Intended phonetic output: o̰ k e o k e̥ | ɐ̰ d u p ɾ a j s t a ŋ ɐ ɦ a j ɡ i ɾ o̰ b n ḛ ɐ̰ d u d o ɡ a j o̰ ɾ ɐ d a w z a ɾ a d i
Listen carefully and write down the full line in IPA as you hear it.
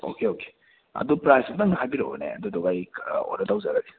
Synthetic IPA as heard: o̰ k e o k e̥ | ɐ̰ d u p ɾ a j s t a ŋ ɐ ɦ a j b i ɾ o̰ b n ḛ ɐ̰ d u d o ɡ a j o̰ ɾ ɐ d a w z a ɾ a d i